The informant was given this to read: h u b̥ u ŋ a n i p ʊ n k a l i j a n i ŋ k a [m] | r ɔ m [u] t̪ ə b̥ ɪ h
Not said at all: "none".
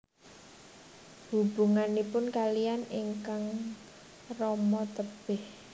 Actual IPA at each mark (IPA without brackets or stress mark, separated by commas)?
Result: ŋ, ɔ